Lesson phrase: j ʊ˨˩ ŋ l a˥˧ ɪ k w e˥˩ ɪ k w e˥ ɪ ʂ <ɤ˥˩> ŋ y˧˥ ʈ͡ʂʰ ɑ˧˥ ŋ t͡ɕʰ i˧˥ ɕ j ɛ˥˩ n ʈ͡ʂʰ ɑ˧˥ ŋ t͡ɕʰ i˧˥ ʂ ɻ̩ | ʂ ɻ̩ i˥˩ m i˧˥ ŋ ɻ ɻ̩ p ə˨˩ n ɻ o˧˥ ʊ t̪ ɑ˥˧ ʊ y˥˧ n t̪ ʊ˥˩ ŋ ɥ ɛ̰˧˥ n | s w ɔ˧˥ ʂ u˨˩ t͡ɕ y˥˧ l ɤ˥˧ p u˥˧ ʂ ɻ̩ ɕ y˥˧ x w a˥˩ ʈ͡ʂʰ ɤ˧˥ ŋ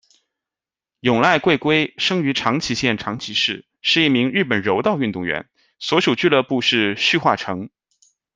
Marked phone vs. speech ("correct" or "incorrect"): incorrect